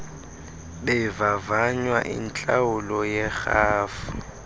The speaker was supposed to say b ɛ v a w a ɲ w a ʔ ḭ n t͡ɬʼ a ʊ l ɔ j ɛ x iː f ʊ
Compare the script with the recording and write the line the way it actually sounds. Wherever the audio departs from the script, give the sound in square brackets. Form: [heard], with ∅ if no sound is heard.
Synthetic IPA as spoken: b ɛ v a [v] a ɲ w a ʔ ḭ n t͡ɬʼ a ʊ l ɔ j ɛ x [aː] f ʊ